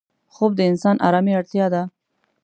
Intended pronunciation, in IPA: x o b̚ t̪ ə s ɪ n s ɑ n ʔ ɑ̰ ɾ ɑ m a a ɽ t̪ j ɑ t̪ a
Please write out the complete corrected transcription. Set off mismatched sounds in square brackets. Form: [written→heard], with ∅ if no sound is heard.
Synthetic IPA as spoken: x o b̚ [t̪→d̪] ə [s→∅] ɪ n s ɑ n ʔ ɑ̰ ɾ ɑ m [a→i] a ɽ t̪ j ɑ [t̪→d̪] a